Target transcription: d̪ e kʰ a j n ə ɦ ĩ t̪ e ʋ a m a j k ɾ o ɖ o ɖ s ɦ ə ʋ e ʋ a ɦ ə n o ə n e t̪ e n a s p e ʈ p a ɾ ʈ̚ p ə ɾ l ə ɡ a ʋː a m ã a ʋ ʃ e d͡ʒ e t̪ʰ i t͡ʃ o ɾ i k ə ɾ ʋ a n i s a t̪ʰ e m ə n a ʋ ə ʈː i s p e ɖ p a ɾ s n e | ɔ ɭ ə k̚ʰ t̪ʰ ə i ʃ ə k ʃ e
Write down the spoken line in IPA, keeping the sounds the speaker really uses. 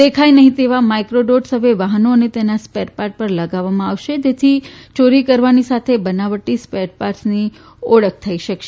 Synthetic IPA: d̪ e kʰ a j n ə ɦ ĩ t̪ e ʋ a m a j k ɾ o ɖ o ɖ s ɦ ə ʋ e ʋ a ɦ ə n o ə n e t̪ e n a s p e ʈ p a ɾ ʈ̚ p ə ɾ l ə ɡ a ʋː a m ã a ʋ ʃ e d͡ʒ e t̪ʰ i t͡ʃ o ɾ i k ə ɾ ʋ a n i s a t̪ʰ e b ə n a ʋ ə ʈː i s p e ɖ p a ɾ s n i | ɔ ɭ ə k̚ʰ t̪ʰ ə i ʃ ə k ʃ e